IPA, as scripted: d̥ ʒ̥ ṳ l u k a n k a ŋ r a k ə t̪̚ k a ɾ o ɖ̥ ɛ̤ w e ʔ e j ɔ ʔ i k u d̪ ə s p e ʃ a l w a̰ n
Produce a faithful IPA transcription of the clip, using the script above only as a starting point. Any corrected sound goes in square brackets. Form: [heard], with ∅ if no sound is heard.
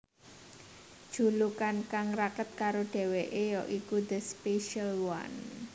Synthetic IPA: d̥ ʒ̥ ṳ l u k a n k a ŋ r a k ə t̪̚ k a ɾ o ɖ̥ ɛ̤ w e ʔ e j ɔ ʔ i k u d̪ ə s p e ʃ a l w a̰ n